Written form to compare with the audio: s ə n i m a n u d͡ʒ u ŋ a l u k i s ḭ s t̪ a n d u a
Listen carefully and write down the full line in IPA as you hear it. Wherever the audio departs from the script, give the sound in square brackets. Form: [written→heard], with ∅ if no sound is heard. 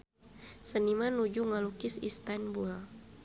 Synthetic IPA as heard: s ə n i m a n u d͡ʒ u ŋ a l u k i s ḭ s t̪ a n [d→b] u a

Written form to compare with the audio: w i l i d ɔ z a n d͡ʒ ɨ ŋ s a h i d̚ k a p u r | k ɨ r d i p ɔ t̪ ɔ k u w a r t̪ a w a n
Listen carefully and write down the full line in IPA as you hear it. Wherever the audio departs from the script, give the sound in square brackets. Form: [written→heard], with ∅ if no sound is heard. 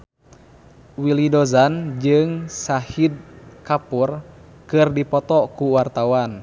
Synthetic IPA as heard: w i l i d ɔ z a n d͡ʒ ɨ ŋ s a h i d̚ k a p u r | k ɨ r d i p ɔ t̪ ɔ k u w a r t̪ a w a n

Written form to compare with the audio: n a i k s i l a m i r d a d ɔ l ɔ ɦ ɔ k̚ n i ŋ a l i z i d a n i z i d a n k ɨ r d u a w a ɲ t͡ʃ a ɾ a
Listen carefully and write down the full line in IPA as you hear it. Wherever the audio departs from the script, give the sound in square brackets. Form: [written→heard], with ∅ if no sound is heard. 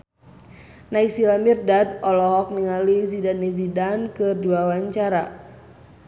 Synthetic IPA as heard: n a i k s i l a m i r d a d ɔ l ɔ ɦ ɔ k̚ n i ŋ a l i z i d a n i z i d a n k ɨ r d u a w a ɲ t͡ʃ a ɾ a

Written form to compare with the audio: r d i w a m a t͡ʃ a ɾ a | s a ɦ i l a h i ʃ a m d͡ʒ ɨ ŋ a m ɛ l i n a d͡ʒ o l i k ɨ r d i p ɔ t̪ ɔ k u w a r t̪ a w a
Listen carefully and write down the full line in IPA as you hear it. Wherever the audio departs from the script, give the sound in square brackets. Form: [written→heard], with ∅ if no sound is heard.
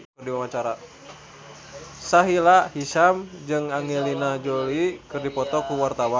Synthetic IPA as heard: r d i w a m a t͡ʃ a ɾ a | s a ɦ i l a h i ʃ a m d͡ʒ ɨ ŋ a [m→ŋ] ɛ l i n a d͡ʒ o l i k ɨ r d i p ɔ t̪ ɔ k u w a r t̪ a w a

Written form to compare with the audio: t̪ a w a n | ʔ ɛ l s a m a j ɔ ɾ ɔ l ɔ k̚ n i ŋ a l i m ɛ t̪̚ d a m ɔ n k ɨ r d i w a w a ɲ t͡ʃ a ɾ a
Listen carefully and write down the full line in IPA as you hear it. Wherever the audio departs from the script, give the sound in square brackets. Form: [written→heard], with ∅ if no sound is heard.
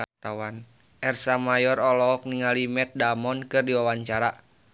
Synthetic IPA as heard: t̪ a w a n | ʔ ɛ [l→r] s a m a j ɔ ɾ ɔ l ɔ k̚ n i ŋ a l i m ɛ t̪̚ d a m ɔ n k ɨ r d i w a w a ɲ t͡ʃ a ɾ a

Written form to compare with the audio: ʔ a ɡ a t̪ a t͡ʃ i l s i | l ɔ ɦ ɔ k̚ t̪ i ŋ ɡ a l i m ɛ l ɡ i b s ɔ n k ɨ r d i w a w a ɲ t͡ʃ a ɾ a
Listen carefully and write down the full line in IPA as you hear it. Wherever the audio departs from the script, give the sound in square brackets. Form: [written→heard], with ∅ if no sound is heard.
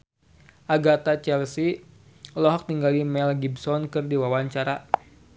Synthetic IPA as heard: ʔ a ɡ a t̪ a t͡ʃ [i→ɛ] l s i | l ɔ ɦ ɔ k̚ t̪ i ŋ ɡ a l i m ɛ l ɡ i b s ɔ n k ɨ r d i w a w a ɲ t͡ʃ a ɾ a

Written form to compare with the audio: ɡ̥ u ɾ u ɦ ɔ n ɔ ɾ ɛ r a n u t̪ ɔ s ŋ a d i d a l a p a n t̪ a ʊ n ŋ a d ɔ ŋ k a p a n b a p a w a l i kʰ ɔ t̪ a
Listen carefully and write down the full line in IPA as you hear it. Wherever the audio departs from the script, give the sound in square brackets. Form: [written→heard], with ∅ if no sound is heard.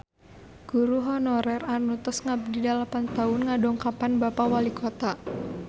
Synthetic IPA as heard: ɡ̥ u ɾ u ɦ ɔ n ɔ ɾ ɛ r a n u t̪ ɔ s ŋ a d i d a l a p a n t̪ a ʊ n ŋ a d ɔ ŋ k a p a n b a p a w a l i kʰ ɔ t̪ a

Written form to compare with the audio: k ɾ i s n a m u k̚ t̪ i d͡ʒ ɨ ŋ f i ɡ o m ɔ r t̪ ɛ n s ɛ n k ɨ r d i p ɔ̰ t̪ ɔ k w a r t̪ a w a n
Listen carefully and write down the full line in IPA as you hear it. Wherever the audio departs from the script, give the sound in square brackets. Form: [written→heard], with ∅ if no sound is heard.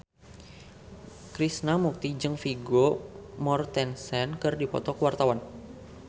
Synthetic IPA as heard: k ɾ i s n a m u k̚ t̪ i d͡ʒ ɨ ŋ f i ɡ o m ɔ r t̪ ɛ n s ɛ n k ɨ r d i p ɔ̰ t̪ ɔ k w a r t̪ a w a n

